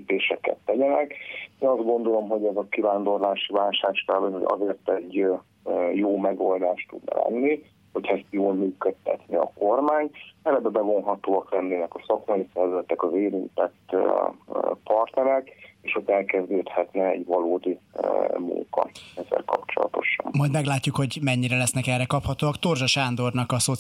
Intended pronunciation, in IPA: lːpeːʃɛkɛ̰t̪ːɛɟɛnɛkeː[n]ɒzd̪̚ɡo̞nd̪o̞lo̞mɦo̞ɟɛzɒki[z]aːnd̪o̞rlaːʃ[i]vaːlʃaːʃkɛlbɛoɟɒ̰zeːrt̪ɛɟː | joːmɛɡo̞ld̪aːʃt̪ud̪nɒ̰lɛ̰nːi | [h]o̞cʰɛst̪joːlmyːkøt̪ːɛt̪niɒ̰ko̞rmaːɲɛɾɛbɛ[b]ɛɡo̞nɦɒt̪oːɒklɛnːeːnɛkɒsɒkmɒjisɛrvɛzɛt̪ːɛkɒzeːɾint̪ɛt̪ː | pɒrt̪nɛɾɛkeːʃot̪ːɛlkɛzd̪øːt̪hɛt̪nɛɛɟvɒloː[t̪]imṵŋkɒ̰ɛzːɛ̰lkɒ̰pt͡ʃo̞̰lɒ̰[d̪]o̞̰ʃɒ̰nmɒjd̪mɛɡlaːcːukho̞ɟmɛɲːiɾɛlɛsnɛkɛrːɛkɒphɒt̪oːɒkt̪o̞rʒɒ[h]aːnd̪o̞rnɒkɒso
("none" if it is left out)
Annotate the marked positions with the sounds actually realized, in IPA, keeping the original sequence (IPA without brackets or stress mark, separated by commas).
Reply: n, v, i, h, b, d̪, t̪, ʃ